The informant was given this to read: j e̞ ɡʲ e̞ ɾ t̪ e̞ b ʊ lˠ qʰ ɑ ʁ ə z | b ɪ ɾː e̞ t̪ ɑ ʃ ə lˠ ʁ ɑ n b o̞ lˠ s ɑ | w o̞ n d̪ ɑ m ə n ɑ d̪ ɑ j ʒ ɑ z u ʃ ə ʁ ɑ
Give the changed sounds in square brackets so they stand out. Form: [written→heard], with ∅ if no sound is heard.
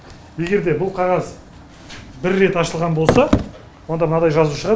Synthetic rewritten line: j e̞ ɡʲ e̞ ɾ [t̪→d̪] e̞ b ʊ lˠ qʰ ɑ ʁ [ə→ɑ] z | b ɪ ɾː e̞ t̪ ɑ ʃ ə lˠ ʁ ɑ n b o̞ lˠ s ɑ | w o̞ n d̪ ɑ m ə n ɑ d̪ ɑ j ʒ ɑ z u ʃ ə ʁ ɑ

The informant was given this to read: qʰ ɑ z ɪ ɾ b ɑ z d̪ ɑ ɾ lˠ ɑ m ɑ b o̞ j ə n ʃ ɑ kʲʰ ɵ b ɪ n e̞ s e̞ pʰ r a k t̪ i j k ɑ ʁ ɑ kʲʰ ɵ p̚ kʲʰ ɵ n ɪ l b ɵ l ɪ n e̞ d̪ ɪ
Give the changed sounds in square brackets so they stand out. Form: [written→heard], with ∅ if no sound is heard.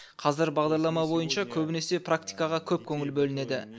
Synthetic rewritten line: qʰ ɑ z ɪ ɾ b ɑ [z→ʁ] d̪ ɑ ɾ lˠ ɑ m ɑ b o̞ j ə n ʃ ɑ kʲʰ ɵ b ɪ n e̞ s e̞ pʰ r a k t̪ i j k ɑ ʁ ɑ kʲʰ ɵ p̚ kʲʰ ɵ [n→ŋ] ɪ l b ɵ l ɪ n e̞ d̪ ɪ

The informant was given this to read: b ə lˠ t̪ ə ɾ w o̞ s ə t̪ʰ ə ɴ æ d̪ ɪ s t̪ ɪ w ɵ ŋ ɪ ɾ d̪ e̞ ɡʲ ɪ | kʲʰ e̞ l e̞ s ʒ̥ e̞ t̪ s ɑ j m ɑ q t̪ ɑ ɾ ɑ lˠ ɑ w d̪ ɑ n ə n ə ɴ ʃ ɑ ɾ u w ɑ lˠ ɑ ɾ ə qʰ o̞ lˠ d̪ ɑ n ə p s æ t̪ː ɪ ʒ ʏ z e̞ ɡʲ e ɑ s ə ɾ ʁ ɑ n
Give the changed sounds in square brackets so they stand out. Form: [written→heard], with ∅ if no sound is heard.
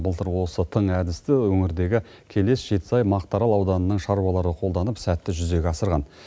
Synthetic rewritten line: b ə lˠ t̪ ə ɾ w o̞ s ə t̪ʰ ə ɴ æ d̪ ɪ s t̪ ɪ w ɵ ŋ ɪ ɾ d̪ e̞ ɡʲ ɪ | kʲʰ e̞ l e̞ s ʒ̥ e̞ t̪ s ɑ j m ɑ q t̪ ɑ ɾ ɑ lˠ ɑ w d̪ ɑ n ə n ə ɴ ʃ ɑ ɾ u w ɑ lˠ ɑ ɾ ə qʰ o̞ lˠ d̪ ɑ n ə p s æ t̪ː ɪ ʒ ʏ z e̞ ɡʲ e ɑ s ə ɾ ʁ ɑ n

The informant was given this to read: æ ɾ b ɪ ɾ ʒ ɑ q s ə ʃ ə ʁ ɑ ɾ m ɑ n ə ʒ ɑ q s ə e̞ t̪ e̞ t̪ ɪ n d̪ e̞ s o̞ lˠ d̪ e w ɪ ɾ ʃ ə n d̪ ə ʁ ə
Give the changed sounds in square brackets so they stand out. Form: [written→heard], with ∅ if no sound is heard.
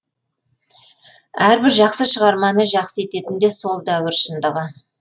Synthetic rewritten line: æ ɾ b ɪ ɾ ʒ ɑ q s ə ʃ ə ʁ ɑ ɾ m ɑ n ə ʒ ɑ q s ə e̞ t̪ e̞ t̪ ɪ n d̪ e̞ s o̞ lˠ d̪ [e→æ] w ɪ ɾ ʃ ə n d̪ ə ʁ ə

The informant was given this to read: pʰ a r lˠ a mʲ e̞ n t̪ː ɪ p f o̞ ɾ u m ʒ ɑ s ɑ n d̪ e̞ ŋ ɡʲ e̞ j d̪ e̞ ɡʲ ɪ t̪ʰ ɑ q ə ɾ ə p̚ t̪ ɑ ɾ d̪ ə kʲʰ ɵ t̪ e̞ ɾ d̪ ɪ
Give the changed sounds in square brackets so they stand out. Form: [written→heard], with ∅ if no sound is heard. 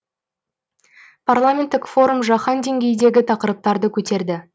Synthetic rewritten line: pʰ a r lˠ a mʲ e̞ n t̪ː ɪ [p→k] f o̞ ɾ u m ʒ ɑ [s→χ] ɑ n d̪ e̞ ŋ ɡʲ e̞ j d̪ e̞ ɡʲ ɪ t̪ʰ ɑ q ə ɾ ə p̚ t̪ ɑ ɾ d̪ ə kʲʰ ɵ t̪ e̞ ɾ d̪ ɪ

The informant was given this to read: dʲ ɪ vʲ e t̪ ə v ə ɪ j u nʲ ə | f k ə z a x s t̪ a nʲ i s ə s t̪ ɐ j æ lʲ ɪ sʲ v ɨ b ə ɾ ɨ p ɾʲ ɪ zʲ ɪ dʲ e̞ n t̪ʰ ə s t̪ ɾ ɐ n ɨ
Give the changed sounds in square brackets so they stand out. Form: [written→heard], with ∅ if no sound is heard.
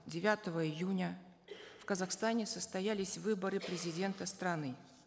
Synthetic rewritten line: dʲ ɪ vʲ [e→a] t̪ ə v ə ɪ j u nʲ ə | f k ə z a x s t̪ a nʲ [i→ɪ] s ə s t̪ ɐ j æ lʲ ɪ sʲ v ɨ b ə ɾ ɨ p ɾʲ ɪ zʲ ɪ dʲ e̞ n [t̪ʰ→t̪] ə s t̪ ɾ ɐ n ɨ

